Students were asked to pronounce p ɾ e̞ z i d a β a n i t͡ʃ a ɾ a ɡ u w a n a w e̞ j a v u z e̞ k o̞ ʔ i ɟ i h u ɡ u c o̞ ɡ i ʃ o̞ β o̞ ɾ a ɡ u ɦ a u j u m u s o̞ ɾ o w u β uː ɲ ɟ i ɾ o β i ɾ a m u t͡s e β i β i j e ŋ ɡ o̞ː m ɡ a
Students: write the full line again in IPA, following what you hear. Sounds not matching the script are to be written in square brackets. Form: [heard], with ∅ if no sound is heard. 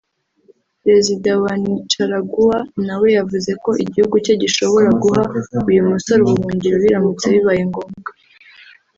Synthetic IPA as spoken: p ɾ e̞ z i d a [w] a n i t͡ʃ a ɾ a ɡ u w a n a w e̞ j a v u z e̞ k o̞ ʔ i ɟ i h u ɡ u c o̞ [ɟ] i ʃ o̞ β o̞ ɾ a ɡ u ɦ a u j u m u s o̞ ɾ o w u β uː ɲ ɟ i ɾ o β i ɾ a m u t͡s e β i β [a] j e ŋ ɡ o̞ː m ɡ a